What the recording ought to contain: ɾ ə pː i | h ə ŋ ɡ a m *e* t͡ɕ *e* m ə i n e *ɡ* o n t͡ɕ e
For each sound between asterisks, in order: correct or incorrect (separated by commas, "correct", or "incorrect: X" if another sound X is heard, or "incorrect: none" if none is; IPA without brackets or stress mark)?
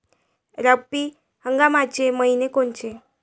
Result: incorrect: a, correct, incorrect: k